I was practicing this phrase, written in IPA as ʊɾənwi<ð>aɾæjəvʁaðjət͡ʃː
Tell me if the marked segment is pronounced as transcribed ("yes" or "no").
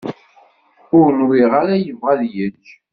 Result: no